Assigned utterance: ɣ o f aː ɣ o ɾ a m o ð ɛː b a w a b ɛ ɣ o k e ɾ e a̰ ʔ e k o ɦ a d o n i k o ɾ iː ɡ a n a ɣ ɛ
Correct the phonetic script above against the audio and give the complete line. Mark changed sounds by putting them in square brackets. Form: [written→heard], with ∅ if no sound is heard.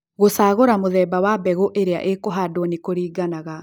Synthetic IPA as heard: ɣ o [f→s] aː ɣ o ɾ a m o ð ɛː b a w a b ɛ ɣ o [k→ʔ] e ɾ e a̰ ʔ e k o ɦ a d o n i k o ɾ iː ɡ a n a ɣ [ɛ→a]